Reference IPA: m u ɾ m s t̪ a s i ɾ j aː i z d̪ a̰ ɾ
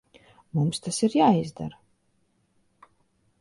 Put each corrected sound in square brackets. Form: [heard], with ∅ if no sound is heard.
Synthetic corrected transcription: m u [∅] m s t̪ a s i ɾ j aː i z d̪ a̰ ɾ